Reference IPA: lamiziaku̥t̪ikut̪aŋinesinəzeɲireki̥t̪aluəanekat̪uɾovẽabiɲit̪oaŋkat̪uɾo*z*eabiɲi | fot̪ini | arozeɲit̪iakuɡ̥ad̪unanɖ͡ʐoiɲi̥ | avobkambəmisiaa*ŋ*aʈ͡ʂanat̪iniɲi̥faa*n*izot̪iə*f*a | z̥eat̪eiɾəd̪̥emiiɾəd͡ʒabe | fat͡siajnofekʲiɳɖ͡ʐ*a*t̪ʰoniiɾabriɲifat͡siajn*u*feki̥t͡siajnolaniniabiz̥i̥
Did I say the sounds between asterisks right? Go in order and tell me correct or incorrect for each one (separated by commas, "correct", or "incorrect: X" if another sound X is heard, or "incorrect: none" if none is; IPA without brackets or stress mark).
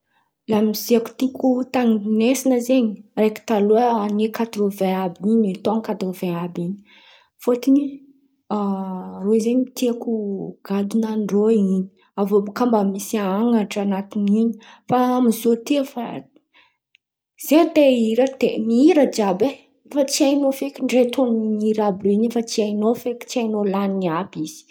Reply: incorrect: v, correct, incorrect: m, correct, incorrect: e, incorrect: o